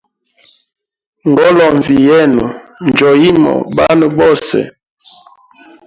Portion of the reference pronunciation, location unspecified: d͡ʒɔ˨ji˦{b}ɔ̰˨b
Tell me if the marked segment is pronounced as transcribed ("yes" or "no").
no